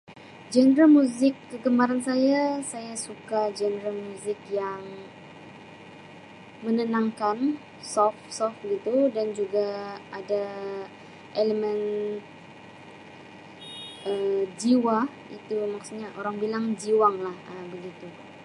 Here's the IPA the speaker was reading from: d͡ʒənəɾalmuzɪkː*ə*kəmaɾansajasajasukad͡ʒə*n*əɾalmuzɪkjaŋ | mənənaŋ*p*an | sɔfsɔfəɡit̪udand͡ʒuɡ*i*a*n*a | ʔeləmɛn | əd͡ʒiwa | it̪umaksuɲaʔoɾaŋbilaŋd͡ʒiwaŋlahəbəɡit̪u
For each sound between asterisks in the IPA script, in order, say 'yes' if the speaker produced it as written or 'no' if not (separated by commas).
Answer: yes, yes, no, no, no